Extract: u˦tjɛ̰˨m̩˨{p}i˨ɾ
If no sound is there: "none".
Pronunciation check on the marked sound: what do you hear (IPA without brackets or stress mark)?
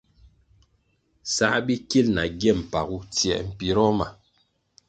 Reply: p